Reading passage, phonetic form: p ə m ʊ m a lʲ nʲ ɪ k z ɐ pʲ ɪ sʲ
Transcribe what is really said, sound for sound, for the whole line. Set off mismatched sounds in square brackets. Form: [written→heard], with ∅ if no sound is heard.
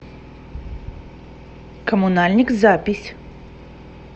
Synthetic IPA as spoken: [p→k] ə m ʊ [m→n] a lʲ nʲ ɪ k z [ɐ→a] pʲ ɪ sʲ